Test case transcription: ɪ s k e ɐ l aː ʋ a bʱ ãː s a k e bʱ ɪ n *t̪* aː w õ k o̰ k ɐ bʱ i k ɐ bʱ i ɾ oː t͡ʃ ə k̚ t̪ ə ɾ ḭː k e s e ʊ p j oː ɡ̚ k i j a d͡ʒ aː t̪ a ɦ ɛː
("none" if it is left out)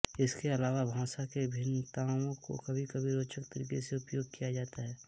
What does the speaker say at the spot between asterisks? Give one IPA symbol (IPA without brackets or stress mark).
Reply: t̪